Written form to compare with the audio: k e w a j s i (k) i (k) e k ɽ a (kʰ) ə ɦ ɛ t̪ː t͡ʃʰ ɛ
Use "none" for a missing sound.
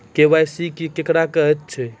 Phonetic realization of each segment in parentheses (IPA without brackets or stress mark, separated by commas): k, k, k